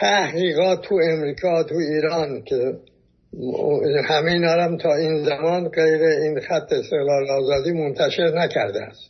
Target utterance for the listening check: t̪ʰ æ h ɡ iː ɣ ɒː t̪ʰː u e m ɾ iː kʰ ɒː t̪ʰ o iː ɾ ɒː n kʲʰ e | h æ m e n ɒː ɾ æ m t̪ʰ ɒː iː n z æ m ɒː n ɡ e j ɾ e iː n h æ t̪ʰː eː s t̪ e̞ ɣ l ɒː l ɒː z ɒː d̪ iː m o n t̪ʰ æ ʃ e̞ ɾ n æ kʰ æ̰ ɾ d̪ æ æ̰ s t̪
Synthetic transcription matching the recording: t̪ʰ æ h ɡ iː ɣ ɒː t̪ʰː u e m ɾ iː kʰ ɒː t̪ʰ u iː ɾ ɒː n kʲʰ e | h æ m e n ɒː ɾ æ m t̪ʰ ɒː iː n z æ m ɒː n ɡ e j ɾ e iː n x æ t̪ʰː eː s t̪ e̞ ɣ l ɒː l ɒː z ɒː d̪ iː m o n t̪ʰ æ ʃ e̞ ɾ n æ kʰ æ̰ ɾ d̪ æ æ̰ s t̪